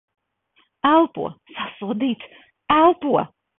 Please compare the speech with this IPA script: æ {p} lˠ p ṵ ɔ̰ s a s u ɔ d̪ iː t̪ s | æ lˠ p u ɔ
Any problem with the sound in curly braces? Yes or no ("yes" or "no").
yes